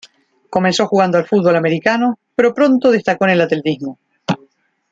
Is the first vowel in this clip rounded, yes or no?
yes